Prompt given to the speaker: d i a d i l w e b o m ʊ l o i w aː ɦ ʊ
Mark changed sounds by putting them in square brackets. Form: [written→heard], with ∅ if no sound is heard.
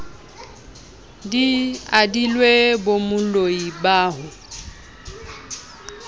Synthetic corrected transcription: d i a d i l w e b o m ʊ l o i [w→b] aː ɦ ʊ